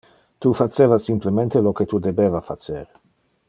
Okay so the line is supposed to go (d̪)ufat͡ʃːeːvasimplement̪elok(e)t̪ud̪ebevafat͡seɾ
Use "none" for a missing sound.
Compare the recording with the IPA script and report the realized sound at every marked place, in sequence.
t̪, e

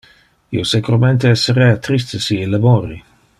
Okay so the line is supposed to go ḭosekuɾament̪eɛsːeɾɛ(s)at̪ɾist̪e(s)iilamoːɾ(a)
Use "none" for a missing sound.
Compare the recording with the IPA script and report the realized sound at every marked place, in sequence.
none, s, i

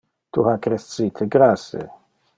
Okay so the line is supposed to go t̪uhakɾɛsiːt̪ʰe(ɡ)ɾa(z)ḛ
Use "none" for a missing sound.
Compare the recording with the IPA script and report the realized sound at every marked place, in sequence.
ɡ, s

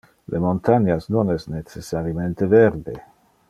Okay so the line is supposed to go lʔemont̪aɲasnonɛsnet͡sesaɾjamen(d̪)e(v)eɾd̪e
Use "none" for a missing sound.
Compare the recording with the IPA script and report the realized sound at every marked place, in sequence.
t̪, v

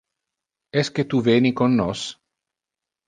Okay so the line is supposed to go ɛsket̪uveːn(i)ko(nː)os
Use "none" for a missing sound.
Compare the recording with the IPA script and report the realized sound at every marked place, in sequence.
i, nː

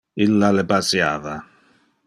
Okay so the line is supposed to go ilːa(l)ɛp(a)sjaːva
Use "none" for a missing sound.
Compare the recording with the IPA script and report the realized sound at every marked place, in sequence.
l, a

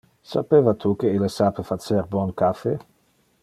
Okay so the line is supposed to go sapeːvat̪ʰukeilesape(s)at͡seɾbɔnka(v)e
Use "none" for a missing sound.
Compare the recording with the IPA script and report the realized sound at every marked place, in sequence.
f, f

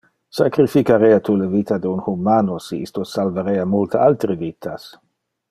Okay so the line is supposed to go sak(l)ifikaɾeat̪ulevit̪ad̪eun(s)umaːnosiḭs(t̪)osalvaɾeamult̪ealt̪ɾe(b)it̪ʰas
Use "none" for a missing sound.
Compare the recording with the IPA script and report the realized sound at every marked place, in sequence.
ɾ, h, t̪, v

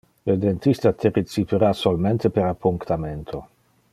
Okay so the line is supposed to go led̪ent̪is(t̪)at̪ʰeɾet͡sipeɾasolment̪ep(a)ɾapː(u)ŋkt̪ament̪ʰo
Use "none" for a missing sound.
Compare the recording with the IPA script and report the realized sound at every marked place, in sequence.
t̪, e, u

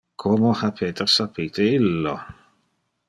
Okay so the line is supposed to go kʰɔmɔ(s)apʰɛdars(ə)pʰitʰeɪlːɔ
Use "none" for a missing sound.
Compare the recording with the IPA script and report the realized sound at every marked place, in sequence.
h, a

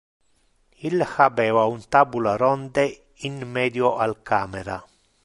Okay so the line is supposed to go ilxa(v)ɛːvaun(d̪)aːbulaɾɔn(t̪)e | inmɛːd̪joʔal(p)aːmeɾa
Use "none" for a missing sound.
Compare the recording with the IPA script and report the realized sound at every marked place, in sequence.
b, t̪, d̪, k

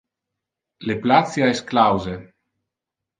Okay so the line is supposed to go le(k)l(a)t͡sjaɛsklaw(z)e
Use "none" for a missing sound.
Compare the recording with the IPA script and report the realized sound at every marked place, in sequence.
p, a, z

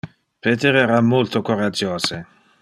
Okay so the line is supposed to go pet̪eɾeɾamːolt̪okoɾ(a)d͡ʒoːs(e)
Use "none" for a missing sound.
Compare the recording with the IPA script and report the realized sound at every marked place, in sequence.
a, e

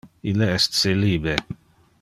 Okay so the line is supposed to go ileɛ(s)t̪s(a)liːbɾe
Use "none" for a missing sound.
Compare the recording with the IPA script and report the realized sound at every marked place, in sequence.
s, e

